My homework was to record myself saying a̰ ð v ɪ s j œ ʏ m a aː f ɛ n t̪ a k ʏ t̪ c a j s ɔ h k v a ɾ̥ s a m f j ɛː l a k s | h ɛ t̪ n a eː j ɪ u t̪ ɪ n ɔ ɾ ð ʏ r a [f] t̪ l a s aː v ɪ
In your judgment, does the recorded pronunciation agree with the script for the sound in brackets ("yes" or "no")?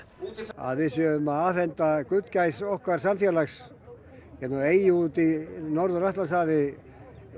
no